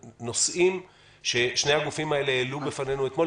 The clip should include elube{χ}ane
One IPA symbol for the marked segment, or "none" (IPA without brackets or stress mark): f